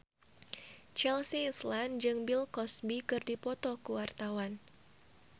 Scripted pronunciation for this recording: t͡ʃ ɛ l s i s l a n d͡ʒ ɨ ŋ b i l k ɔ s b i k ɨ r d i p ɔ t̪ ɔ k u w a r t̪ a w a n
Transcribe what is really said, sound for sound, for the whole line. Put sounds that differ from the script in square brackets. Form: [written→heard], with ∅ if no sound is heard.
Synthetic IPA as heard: t͡ʃ ɛ l s i s l a n d͡ʒ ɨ ŋ b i l k ɔ s b i k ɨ r d i p ɔ t̪ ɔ k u w a r t̪ a w a n